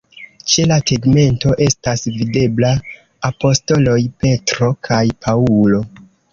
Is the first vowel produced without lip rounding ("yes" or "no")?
yes